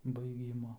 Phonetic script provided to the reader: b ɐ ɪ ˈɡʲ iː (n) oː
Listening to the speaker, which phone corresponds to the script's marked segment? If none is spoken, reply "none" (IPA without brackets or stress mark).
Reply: m